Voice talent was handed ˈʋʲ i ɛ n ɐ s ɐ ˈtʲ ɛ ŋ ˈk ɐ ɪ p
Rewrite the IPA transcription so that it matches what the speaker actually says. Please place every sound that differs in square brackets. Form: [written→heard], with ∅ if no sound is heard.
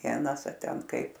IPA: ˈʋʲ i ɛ n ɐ s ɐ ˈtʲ ɛ [ŋ→n] ˈk ɐ ɪ p